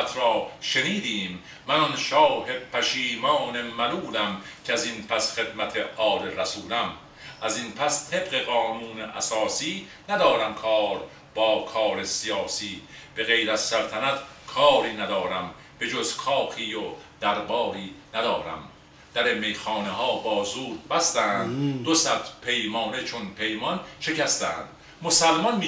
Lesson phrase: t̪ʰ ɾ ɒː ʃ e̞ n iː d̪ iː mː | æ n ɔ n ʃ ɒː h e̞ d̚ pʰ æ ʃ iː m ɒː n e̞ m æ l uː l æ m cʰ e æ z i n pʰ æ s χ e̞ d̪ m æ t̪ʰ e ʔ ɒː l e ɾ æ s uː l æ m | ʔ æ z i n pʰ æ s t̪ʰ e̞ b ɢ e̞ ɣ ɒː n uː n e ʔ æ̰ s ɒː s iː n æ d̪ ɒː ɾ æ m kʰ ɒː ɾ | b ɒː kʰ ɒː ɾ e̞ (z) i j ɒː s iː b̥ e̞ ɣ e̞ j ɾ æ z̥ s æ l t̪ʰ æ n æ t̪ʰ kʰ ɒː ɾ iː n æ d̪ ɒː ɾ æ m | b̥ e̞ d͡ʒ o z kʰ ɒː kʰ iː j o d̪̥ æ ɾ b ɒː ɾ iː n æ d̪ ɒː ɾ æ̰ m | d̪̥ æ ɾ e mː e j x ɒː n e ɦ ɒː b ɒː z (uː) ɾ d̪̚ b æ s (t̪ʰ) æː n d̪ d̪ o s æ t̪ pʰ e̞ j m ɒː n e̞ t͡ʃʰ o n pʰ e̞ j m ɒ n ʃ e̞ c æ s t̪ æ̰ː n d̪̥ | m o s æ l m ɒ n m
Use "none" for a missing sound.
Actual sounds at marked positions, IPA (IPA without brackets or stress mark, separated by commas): s, uː, t̪